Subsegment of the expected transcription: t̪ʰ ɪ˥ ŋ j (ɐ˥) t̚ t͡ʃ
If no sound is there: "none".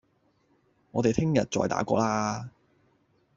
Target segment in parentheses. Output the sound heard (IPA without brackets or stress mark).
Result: ɐ˨